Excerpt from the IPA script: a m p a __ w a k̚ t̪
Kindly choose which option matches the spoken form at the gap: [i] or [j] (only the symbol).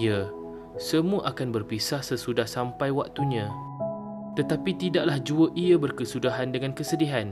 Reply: j